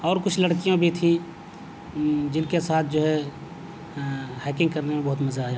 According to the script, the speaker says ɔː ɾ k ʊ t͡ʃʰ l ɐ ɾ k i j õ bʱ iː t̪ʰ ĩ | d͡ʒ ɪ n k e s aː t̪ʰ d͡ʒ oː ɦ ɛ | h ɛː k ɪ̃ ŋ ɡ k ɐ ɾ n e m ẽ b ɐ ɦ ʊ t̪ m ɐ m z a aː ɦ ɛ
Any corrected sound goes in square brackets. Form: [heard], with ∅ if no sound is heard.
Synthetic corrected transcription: ɔː ɾ k ʊ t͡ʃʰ l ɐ [ɽ] k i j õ bʱ [i] t̪ʰ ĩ | d͡ʒ ɪ n k e s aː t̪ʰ d͡ʒ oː ɦ ɛ | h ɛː k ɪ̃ ŋ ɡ k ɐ ɾ n e m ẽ b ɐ ɦ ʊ t̪ m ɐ [∅] z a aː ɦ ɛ

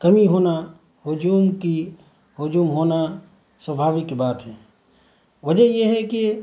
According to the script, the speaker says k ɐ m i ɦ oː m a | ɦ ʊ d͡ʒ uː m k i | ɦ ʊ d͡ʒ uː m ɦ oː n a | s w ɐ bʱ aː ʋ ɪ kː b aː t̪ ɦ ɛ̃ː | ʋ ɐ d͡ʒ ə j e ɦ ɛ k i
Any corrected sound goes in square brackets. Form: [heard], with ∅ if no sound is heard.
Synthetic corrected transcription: k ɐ m i ɦ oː [n] a | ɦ ʊ d͡ʒ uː m k i | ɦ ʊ d͡ʒ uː m ɦ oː n a | s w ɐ bʱ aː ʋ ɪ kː b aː t̪ ɦ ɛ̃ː | ʋ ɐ d͡ʒ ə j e ɦ ɛ k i

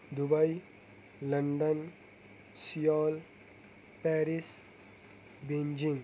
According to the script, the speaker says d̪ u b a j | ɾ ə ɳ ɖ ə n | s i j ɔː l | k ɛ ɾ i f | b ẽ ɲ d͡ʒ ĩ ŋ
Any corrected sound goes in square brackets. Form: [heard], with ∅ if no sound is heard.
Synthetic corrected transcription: d̪ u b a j | [l] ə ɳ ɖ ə n | s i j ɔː l | [p] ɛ ɾ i [s] | b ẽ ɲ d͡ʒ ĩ ŋ

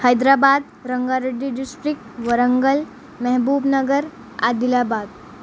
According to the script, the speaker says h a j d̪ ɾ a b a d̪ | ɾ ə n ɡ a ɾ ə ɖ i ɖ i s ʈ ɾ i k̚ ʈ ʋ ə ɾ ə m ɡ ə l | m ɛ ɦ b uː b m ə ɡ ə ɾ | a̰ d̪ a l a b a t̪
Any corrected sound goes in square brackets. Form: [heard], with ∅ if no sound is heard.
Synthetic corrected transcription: h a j d̪ ɾ a b a d̪ | ɾ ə [ŋ] ɡ a ɾ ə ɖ i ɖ i s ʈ ɾ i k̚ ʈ ʋ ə ɾ ə [ŋ] ɡ ə l | m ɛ ɦ b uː b [n] ə ɡ ə ɾ | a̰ d̪ [i] l a b a [d̪]

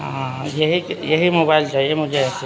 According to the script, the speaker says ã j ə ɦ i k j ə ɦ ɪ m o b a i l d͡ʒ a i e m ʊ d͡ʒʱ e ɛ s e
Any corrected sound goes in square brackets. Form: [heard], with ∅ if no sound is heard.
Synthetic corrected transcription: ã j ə ɦ i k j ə ɦ [i] m o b a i l d͡ʒ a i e m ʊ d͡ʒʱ e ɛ s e

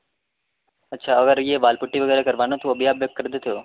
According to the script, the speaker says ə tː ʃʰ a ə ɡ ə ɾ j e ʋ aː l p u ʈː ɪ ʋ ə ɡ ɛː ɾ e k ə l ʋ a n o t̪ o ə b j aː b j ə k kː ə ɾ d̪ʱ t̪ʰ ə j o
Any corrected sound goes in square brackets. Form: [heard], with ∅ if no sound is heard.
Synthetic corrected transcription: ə tː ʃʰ a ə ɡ ə ɾ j e ʋ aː l p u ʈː [i] ʋ ə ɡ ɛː ɾ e k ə [ɾ] ʋ a n o t̪ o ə b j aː b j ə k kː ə ɾ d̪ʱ t̪ʰ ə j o

